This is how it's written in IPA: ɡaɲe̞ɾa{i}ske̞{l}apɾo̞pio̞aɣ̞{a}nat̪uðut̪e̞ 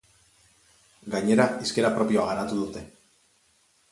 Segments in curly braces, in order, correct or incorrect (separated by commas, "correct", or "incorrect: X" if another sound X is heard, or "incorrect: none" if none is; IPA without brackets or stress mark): correct, incorrect: ɾ, correct